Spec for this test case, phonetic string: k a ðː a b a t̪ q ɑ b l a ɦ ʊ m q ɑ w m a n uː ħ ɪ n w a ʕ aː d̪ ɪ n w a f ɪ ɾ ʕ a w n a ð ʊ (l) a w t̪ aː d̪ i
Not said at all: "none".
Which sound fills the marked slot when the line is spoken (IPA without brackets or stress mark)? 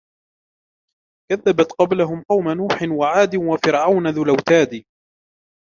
l